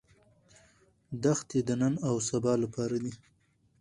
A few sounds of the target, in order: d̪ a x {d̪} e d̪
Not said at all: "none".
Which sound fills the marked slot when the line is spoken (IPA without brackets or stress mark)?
t̪